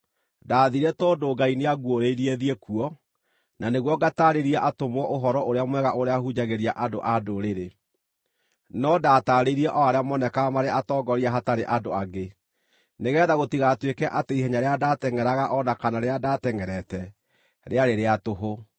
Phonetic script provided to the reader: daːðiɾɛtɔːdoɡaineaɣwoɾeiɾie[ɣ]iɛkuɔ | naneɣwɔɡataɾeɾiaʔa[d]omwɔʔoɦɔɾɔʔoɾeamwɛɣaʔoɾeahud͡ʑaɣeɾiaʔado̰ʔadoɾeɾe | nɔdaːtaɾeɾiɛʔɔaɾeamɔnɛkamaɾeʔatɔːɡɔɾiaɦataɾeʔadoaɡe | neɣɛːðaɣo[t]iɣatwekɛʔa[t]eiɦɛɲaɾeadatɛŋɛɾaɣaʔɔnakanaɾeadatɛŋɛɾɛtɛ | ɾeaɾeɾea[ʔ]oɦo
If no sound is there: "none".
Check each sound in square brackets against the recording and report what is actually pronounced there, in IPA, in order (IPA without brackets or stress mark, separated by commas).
ð, t, t, t, t